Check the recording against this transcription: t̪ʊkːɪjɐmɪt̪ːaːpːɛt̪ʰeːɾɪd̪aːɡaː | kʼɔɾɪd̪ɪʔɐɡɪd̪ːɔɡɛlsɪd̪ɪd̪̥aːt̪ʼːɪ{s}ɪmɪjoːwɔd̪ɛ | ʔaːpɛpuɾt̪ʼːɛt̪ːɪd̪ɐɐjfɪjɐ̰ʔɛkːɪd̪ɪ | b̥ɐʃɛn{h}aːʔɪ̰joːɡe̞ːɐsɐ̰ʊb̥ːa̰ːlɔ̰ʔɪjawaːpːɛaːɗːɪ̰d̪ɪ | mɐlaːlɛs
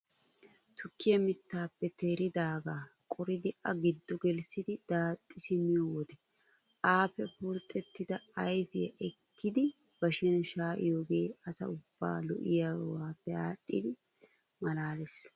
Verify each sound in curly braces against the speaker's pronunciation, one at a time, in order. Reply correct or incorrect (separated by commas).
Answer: correct, incorrect